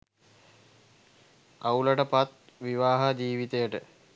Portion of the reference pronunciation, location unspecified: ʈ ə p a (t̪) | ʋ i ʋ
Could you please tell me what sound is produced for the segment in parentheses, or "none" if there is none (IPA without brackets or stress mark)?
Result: t̪